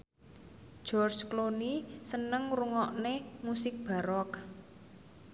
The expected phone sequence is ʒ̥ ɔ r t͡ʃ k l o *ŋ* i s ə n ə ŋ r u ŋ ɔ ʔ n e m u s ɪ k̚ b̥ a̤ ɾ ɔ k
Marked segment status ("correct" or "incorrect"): incorrect